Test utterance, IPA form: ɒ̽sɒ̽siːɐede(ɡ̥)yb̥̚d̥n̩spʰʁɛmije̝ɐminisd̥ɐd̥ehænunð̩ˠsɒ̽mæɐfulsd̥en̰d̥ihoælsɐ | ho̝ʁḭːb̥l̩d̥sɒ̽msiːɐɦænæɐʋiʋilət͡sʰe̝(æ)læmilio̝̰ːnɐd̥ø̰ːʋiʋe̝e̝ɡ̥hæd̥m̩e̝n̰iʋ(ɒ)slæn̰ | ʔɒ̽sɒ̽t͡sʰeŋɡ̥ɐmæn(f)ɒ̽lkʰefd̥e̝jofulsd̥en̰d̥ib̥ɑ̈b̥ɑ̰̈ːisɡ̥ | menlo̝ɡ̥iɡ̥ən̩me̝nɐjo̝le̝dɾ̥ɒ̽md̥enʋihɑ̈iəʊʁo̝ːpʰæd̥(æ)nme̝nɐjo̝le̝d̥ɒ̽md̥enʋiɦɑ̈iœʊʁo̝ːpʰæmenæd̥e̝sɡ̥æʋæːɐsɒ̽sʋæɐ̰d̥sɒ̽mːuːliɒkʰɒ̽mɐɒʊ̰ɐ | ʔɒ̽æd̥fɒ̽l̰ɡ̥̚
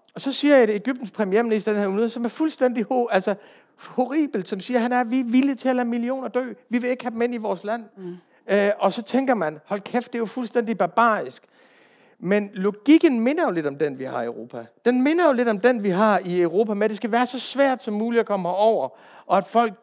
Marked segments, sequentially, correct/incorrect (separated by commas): correct, correct, incorrect, incorrect, incorrect